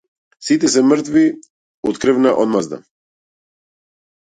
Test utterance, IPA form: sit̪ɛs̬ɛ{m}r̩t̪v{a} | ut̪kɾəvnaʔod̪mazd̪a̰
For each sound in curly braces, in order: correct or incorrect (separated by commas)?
correct, incorrect